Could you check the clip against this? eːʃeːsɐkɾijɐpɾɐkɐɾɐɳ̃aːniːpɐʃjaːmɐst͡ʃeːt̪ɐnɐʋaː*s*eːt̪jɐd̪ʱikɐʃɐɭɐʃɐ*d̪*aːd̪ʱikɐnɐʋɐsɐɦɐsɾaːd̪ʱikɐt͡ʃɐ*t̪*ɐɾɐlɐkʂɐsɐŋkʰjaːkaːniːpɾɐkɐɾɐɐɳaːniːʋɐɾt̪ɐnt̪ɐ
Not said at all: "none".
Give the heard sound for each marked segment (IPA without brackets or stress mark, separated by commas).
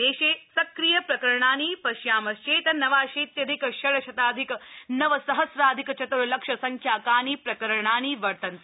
ʃ, t̪, t̪